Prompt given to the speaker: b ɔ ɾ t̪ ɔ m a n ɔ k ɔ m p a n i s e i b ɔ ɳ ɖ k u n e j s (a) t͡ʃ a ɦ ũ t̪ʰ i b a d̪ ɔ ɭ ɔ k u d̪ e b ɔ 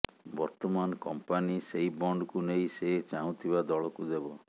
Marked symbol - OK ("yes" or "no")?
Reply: no